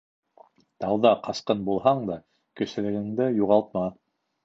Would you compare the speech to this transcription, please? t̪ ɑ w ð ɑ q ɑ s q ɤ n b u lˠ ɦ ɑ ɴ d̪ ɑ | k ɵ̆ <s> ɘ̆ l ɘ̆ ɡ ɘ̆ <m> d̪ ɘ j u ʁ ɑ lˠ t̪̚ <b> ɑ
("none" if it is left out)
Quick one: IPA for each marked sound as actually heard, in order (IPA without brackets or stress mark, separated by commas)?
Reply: s, ŋ, m